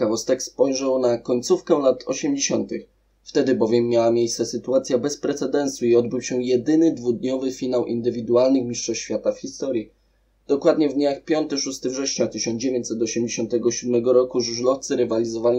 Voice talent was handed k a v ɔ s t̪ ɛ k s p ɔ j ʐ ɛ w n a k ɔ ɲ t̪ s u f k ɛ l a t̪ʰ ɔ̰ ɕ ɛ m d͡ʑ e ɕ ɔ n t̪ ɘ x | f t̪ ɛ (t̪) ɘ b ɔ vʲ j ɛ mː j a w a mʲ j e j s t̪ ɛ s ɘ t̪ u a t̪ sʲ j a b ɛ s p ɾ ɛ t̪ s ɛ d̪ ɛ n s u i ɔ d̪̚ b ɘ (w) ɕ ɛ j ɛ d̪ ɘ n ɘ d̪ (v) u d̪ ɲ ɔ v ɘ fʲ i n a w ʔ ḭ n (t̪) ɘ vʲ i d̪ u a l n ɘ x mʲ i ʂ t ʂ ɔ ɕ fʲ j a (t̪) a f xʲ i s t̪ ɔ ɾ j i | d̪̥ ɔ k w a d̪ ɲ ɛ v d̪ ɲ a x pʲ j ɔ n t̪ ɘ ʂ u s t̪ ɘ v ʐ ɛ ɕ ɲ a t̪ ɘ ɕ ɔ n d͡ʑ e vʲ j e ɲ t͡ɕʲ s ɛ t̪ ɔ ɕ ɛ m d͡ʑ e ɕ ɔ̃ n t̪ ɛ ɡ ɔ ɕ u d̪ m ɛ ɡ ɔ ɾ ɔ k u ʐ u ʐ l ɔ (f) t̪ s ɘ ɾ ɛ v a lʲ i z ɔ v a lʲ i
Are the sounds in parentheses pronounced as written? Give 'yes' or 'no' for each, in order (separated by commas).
no, yes, yes, no, yes, yes